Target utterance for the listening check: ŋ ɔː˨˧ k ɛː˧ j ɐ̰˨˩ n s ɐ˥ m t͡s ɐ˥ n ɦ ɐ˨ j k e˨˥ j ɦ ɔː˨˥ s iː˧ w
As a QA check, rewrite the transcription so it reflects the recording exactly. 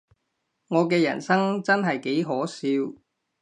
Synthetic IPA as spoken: ŋ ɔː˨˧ k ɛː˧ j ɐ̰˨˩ n s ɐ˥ ŋ t͡s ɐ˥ n ɦ ɐ˨ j k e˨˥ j ɦ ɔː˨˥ s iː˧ w